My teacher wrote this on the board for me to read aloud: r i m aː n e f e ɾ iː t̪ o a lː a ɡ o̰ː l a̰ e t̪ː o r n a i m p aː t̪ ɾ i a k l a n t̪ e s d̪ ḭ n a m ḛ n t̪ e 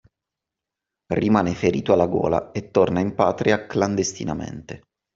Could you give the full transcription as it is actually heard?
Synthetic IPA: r i m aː n e f e ɾ iː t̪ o a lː a ɡ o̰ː l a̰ e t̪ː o r n a i m p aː t̪ ɾ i a k l a n d̪ e s t̪ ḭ n a m ḛ n t̪ e